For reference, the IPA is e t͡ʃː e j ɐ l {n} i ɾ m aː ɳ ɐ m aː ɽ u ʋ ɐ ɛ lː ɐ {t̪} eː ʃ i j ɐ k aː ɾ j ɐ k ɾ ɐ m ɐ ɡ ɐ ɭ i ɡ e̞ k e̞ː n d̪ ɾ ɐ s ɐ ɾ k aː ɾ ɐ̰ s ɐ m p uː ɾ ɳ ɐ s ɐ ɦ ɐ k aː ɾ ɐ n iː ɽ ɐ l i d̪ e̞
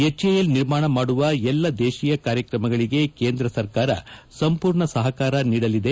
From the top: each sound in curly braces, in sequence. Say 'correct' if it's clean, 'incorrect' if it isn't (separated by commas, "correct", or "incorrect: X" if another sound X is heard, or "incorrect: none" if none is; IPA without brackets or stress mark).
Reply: correct, incorrect: d̪